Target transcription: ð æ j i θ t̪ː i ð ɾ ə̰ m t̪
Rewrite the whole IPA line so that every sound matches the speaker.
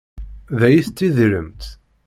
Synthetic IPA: ð æ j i θ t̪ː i ð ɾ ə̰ m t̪